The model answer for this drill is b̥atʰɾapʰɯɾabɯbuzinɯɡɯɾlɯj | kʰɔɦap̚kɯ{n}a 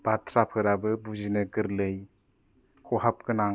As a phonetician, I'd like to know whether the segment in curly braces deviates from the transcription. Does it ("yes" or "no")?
no